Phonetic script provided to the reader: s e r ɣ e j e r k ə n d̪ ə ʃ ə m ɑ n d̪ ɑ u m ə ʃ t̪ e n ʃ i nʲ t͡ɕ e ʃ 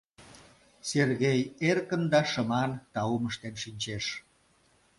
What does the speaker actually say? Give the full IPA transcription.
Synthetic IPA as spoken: s e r ɣ e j e r k ə n d̪ ɑ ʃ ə m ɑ n t̪ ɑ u m ə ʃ t̪ e n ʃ i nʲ t͡ɕ e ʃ